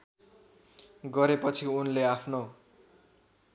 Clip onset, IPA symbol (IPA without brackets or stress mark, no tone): ɡ